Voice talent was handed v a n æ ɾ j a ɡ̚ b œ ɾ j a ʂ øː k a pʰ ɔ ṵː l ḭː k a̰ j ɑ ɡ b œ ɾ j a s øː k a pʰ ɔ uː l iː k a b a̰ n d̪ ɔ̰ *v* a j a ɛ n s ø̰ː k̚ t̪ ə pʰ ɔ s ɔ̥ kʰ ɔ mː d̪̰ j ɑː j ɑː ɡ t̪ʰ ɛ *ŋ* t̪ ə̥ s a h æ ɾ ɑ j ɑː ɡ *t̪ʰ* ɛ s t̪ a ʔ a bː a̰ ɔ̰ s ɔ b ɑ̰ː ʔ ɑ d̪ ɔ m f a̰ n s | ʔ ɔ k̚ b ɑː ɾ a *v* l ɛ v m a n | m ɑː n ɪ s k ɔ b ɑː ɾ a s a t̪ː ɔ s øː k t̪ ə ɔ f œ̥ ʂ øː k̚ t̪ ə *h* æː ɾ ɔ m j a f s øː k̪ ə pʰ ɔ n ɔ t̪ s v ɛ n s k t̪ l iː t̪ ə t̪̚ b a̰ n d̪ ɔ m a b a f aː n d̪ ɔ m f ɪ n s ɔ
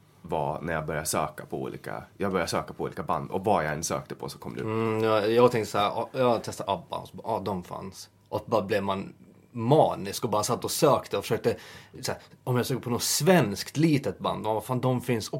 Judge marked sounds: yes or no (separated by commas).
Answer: yes, yes, yes, no, no